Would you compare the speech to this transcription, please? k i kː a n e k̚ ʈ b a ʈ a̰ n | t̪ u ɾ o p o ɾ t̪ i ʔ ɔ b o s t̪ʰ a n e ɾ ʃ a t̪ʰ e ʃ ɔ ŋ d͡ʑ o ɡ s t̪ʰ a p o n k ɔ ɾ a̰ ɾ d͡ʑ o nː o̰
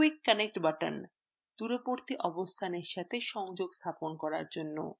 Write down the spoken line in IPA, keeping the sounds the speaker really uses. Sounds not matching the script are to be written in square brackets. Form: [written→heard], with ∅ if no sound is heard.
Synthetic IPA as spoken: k i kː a n e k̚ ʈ b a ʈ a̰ n | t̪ u ɾ o p o ɾ t̪ i ʔ ɔ b o s t̪ʰ a n e ɾ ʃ a t̪ʰ e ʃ ɔ ŋ d͡ʑ o ɡ s t̪ʰ a p o n k ɔ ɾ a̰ ɾ d͡ʑ o nː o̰